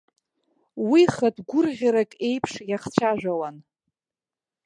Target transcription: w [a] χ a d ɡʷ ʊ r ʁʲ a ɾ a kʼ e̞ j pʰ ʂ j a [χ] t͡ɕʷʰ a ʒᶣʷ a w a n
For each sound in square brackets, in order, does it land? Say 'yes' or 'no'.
no, yes

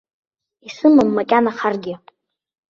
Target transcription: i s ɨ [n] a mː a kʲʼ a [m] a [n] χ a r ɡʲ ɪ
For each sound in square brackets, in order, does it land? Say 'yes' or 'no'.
no, no, no

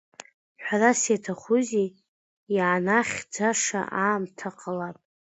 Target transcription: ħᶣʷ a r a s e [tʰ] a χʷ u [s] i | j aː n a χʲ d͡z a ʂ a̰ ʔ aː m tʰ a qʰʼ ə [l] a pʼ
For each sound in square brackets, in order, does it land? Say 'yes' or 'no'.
yes, no, yes

